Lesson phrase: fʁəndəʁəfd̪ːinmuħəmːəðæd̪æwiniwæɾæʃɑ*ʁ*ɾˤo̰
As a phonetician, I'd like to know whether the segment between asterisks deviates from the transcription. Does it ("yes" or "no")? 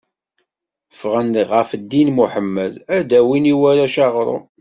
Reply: no